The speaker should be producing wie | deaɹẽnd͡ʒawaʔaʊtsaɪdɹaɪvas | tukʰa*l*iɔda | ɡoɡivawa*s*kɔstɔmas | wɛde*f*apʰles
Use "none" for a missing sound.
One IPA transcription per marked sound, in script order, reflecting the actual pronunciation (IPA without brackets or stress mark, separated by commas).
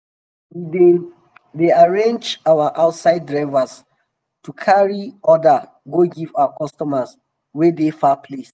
ɹ, none, f